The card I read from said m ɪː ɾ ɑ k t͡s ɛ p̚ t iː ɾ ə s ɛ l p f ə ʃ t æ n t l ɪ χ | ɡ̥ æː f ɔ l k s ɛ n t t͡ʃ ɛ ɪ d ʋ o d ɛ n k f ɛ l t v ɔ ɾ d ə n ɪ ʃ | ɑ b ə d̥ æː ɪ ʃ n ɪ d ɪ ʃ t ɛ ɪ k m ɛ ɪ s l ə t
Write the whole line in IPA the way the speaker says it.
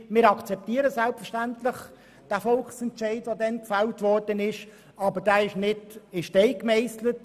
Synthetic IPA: m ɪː ɾ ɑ k t͡s ɛ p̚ t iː ɾ ə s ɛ l p f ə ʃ t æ n t l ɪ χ | d̥ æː f ɔ l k s ɛ n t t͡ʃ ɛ ɪ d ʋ o d ɛ n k f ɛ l t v ɔ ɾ d ə n ɪ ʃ | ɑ b ə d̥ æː ɪ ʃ n ɪ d ɪ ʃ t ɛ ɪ k m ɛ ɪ s l ə t